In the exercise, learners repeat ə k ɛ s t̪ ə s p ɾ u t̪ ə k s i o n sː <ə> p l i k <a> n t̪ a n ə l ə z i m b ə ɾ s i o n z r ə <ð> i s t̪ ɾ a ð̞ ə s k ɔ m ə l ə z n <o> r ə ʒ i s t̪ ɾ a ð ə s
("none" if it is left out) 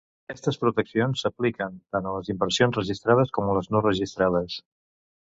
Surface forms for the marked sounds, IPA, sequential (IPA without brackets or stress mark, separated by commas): ə, ə, ʒ, o